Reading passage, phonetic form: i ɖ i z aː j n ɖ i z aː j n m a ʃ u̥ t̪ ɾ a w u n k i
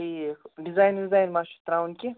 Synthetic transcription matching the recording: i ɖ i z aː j n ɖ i z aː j n m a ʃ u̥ t̪ ɾ a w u n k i